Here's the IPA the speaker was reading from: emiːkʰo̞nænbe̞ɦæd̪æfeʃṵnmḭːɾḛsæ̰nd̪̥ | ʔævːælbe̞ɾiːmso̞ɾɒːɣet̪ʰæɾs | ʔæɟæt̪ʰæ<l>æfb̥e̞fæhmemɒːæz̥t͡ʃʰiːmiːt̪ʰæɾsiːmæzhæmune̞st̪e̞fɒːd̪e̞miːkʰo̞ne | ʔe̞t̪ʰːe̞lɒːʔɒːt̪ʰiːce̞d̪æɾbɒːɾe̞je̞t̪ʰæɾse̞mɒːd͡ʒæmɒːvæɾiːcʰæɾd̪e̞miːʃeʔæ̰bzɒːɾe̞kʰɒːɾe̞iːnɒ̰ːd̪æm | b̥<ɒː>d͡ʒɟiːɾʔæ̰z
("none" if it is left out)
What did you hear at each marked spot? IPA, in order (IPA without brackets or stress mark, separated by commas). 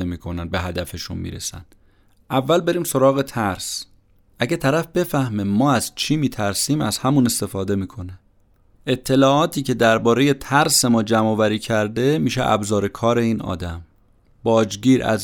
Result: ɾ, ɒː